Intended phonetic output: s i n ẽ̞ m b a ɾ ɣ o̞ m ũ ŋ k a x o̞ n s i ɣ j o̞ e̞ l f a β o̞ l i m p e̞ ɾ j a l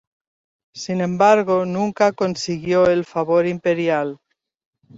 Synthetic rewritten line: s i n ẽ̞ m b a ɾ ɣ o̞ n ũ ŋ k a k o̞ n s i ɣ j o̞ e̞ l f a β o̞ ɾ i m p e̞ ɾ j a l